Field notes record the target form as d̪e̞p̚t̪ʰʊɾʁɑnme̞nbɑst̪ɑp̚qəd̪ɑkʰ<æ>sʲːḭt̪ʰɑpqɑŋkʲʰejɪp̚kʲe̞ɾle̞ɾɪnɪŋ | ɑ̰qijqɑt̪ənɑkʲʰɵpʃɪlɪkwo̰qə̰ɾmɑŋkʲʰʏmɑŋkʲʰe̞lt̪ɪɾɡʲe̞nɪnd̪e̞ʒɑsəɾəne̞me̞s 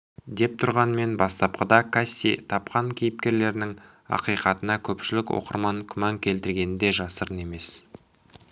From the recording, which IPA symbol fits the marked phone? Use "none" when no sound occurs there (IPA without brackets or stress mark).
a